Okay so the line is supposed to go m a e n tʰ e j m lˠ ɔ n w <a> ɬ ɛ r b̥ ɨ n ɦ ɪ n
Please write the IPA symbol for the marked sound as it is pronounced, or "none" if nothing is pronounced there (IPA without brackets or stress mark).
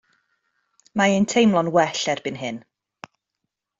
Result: ɛ